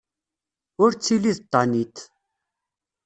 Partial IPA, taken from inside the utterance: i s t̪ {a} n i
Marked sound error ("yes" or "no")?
no